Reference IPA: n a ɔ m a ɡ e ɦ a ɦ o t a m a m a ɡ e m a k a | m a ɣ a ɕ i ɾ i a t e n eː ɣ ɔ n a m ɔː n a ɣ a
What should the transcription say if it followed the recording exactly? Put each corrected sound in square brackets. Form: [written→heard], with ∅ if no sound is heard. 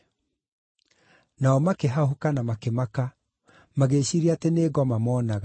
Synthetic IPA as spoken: n a ɔ m a [ɡ→k] e ɦ a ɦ o [t→k] a [m→n] a m a [ɡ→k] e m a k a | m a ɣ [a→e] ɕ i ɾ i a t e n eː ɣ ɔ [n→m] a m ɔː n a ɣ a